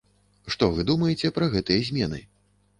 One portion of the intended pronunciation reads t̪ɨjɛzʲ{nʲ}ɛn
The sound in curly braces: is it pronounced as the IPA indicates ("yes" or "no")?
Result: no